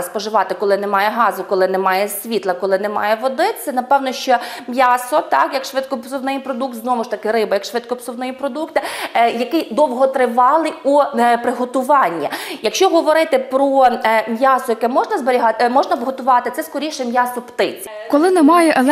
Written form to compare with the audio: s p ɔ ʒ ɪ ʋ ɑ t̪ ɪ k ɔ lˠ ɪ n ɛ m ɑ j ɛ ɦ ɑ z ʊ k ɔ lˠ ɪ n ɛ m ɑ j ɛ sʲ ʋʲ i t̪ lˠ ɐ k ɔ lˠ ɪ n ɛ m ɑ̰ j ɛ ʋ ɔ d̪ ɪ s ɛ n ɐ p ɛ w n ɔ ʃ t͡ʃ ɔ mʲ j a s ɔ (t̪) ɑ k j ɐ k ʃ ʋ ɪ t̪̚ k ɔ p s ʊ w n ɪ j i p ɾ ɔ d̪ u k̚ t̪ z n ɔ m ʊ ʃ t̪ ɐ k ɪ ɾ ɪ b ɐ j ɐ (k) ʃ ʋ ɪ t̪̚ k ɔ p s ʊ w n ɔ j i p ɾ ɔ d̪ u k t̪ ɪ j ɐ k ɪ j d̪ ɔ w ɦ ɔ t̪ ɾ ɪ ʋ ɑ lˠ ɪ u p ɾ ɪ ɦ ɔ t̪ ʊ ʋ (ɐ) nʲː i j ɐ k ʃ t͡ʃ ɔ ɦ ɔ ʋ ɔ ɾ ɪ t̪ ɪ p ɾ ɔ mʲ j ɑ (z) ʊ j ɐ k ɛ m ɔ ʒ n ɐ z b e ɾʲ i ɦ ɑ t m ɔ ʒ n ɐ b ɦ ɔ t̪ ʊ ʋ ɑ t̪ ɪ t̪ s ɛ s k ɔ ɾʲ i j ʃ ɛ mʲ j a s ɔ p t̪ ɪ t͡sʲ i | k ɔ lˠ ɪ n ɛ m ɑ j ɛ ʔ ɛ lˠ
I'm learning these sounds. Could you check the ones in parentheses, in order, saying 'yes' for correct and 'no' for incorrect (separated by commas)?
yes, yes, no, no